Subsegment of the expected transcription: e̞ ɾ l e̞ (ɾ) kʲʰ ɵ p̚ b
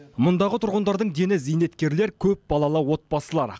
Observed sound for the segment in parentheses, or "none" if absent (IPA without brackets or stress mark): ɾ